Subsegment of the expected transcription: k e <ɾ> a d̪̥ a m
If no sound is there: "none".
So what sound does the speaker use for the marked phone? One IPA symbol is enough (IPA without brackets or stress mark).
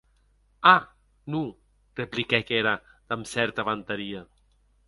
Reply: ɾ